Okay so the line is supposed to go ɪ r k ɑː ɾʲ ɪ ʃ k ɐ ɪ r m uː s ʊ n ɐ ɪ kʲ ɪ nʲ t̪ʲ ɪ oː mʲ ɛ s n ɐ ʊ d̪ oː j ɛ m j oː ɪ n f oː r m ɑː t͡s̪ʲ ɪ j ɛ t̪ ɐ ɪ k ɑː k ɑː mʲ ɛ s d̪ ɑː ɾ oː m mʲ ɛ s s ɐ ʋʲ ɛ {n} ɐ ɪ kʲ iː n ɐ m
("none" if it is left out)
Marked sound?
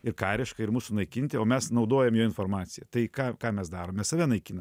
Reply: n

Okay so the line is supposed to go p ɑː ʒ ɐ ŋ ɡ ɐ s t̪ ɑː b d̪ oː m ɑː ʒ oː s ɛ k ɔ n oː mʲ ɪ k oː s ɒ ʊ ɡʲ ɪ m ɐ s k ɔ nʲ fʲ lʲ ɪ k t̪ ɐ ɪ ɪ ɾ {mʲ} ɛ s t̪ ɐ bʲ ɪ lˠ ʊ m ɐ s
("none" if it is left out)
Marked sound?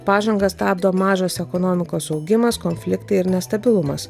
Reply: nʲ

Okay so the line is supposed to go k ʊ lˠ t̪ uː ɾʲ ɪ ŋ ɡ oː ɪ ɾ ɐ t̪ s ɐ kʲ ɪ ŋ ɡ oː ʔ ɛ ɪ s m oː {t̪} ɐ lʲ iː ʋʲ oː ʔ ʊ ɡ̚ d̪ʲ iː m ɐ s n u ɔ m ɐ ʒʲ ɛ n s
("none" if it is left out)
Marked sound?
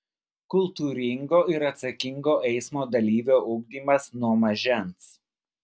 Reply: d̪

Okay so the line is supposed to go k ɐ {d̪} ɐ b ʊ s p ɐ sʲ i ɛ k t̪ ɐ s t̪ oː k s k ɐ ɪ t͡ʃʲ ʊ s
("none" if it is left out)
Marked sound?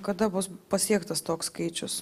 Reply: d̪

